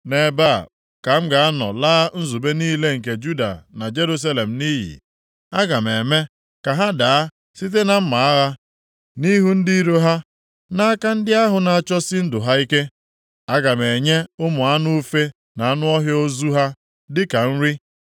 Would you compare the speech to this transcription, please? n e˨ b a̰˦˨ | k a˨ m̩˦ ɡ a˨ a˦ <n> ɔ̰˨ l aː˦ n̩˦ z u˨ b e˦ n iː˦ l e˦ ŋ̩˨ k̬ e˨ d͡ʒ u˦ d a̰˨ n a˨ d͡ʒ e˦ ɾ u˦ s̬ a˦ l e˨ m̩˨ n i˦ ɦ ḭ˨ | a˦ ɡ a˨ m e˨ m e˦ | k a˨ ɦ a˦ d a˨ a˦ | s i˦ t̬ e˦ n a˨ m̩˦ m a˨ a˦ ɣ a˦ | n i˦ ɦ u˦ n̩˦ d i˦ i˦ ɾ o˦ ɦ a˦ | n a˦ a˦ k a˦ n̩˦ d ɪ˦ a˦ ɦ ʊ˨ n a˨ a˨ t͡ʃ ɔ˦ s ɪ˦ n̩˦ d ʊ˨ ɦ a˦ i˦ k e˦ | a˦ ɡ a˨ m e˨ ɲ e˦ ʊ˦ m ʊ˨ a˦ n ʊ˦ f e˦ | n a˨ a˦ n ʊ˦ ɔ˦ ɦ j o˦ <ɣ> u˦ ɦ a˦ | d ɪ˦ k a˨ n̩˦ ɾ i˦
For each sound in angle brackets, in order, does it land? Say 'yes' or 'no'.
yes, no

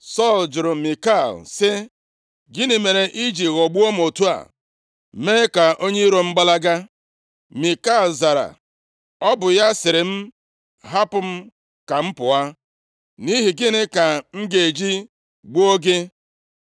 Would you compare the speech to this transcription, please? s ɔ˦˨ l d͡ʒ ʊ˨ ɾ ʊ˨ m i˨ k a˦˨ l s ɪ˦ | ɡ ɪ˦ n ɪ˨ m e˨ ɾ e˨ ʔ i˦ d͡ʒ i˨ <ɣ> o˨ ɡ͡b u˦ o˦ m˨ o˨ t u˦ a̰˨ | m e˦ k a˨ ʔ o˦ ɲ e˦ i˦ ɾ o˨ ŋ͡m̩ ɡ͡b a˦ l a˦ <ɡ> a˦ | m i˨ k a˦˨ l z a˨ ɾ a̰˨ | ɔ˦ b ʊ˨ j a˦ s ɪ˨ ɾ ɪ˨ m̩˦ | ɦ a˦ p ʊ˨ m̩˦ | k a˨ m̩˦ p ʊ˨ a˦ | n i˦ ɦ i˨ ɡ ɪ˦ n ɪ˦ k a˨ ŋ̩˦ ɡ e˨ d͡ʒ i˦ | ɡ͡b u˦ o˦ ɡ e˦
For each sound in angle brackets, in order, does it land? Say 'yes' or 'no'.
yes, yes

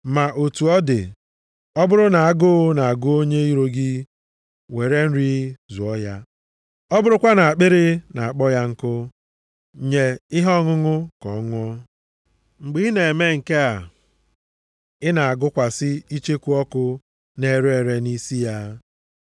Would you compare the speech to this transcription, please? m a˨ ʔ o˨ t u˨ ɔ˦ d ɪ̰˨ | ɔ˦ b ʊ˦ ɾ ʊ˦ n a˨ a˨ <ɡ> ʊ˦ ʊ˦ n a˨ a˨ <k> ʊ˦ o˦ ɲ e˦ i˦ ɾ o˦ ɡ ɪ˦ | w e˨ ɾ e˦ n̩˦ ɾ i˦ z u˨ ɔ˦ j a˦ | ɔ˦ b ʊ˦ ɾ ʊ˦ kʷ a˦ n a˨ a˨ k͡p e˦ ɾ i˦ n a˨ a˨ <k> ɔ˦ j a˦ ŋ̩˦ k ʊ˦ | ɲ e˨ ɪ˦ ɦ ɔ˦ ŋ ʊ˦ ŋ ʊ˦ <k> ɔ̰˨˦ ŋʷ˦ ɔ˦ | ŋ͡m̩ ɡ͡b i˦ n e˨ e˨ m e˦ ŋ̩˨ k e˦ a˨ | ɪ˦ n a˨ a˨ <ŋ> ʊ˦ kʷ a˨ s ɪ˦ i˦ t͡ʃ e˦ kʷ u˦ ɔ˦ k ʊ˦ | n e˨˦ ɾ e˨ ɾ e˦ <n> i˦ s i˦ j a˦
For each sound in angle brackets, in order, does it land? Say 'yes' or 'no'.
yes, no, no, yes, no, yes

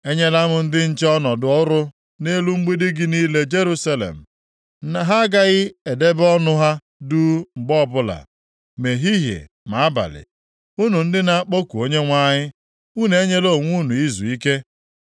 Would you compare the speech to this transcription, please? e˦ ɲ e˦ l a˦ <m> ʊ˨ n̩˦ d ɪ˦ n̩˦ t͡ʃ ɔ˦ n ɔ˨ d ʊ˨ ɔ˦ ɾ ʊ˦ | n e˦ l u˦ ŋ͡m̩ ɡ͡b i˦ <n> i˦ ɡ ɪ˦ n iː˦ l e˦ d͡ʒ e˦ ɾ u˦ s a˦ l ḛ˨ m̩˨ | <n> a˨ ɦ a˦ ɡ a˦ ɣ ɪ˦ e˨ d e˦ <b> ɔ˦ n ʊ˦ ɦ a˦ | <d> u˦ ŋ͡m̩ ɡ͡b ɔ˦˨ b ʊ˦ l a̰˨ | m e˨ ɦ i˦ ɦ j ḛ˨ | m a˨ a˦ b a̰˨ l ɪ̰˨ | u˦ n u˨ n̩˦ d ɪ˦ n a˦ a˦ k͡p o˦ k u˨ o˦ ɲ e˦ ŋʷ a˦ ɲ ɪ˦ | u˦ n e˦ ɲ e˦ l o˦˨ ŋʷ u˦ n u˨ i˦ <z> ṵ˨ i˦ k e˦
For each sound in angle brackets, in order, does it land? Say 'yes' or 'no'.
yes, no, yes, yes, yes, yes

